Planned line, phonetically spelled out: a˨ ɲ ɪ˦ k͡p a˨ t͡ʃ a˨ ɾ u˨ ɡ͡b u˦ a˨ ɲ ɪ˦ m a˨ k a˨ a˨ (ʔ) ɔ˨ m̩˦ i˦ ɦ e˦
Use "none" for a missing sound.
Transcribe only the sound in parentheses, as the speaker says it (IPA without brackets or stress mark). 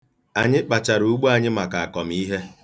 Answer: k